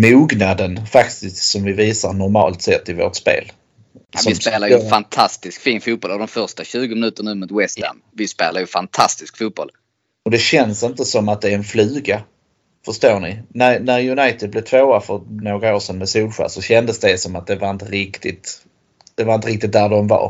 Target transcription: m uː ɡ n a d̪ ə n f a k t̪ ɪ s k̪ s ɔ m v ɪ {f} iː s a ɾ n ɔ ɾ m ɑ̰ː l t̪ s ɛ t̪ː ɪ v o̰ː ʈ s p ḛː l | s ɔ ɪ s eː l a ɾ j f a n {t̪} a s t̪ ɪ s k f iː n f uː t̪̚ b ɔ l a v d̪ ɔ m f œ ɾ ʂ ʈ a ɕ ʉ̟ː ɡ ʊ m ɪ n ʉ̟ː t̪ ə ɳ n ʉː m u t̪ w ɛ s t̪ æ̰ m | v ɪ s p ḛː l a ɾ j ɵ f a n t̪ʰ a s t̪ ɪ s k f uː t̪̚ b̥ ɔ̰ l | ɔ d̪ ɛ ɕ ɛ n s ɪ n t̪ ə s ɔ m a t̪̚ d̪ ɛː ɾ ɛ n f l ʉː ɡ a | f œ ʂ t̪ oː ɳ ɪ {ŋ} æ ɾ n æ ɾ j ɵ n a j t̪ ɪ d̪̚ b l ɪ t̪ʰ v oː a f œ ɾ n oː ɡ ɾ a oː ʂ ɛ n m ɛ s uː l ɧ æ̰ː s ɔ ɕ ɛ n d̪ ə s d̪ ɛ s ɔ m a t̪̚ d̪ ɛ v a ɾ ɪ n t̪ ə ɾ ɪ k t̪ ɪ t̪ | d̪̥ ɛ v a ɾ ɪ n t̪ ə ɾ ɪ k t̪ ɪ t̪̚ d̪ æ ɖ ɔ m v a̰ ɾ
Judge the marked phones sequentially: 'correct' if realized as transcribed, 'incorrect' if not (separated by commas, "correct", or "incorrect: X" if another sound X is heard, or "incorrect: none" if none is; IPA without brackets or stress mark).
incorrect: v, incorrect: t̪ʰ, incorrect: n